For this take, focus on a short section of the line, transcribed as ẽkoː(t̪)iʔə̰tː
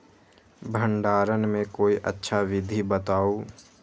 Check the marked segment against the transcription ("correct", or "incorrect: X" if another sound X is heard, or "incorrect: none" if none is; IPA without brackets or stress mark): incorrect: none